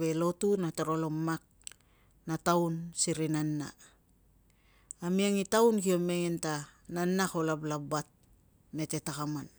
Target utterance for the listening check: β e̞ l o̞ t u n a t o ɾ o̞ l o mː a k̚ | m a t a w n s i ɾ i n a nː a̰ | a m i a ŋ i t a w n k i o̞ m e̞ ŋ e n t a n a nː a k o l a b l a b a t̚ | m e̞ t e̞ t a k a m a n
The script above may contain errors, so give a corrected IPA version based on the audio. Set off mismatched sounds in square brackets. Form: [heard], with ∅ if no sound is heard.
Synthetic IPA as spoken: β e̞ l o̞ t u n a t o ɾ o̞ l o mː a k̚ | [n] a t a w n s i ɾ i n a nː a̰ | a m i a ŋ i t a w n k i o̞ m e̞ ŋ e n t a n a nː a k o l a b l a b a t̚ | m e̞ t e̞ t a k a m a n